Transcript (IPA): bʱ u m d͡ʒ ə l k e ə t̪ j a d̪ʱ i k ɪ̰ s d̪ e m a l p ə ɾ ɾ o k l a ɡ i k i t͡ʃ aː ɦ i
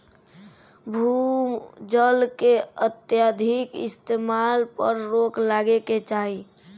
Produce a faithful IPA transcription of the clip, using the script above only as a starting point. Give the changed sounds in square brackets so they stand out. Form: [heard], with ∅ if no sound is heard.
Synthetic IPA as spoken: bʱ u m d͡ʒ ə l k e ə t̪ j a d̪ʱ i k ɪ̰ s [t̪] e m a l p ə ɾ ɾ o k l a ɡ [e] k [e] t͡ʃ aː ɦ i